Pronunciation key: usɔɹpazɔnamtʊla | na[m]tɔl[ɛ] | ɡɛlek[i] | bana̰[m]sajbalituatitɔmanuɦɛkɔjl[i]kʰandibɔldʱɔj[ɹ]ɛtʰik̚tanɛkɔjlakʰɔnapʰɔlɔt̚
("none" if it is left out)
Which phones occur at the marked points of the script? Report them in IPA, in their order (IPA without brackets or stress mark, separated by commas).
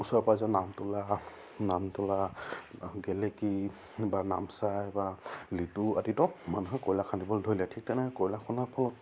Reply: m, a, i, m, a, l